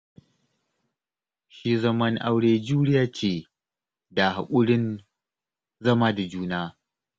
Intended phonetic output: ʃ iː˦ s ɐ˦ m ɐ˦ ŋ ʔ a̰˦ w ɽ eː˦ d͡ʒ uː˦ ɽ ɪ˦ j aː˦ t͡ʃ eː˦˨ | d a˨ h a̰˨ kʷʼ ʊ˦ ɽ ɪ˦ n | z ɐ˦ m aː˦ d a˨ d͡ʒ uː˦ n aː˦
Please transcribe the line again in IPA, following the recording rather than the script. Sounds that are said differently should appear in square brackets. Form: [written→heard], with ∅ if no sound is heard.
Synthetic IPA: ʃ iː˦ [s→z] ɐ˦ m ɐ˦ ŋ ʔ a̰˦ w ɽ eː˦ d͡ʒ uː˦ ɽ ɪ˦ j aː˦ t͡ʃ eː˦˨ | d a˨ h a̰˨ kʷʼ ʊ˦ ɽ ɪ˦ n | z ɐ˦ m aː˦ d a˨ d͡ʒ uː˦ n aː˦